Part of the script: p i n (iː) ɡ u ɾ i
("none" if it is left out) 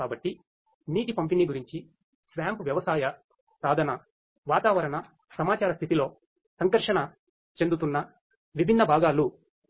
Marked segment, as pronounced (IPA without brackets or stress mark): i